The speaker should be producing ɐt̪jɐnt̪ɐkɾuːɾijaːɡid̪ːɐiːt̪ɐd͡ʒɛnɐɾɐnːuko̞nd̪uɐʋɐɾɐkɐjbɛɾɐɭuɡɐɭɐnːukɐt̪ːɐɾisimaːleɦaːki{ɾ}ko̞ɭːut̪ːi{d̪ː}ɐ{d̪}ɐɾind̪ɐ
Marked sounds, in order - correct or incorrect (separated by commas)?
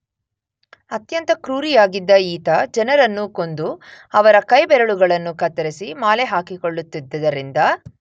incorrect, correct, correct